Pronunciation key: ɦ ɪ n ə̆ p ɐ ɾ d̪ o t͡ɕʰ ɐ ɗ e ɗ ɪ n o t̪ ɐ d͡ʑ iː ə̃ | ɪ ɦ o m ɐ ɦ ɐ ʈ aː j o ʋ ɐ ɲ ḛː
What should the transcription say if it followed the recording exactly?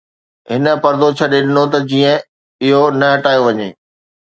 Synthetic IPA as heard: ɦ ɪ n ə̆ p ɐ ɾ d̪ o t͡ɕʰ ɐ ɗ e ɗ ɪ n o t̪ ɐ d͡ʑ iː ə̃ | ɪ ɦ o n ɐ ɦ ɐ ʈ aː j o ʋ ɐ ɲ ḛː